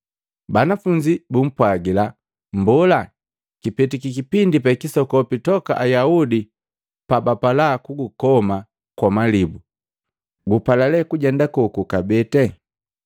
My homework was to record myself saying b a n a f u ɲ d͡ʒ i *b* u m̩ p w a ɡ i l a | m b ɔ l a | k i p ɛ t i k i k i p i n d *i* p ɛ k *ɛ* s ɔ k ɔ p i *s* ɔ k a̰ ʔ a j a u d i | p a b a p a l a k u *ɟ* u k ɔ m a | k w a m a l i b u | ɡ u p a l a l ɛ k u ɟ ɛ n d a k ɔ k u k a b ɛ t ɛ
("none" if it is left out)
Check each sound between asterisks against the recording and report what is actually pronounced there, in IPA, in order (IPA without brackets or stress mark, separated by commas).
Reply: b, i, i, t, ɡ